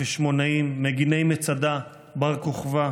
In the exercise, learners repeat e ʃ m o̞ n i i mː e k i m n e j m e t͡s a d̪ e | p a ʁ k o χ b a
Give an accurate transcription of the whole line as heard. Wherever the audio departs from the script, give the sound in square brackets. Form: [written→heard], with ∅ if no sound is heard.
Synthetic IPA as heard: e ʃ m o̞ n [i→a] i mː e [k→ɡ] i [m→∅] n e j m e t͡s a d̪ [e→a] | [p→b] a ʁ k o χ [b→v] a